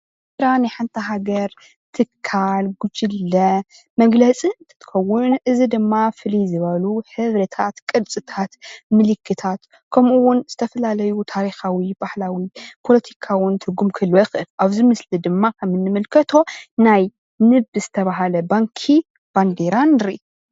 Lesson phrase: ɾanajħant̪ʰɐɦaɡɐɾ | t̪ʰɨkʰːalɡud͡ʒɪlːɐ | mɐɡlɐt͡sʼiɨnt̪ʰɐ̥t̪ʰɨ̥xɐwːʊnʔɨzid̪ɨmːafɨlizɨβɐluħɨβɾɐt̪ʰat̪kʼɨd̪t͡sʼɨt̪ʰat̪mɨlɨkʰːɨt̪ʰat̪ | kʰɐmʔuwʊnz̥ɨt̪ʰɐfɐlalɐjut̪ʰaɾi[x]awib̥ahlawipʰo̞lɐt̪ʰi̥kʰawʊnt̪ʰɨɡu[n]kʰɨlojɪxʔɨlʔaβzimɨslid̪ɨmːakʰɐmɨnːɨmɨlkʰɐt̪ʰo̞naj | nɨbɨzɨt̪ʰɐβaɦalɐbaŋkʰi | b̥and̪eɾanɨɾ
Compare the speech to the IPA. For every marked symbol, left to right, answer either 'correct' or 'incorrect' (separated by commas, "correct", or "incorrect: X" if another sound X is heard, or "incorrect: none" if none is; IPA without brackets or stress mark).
correct, incorrect: m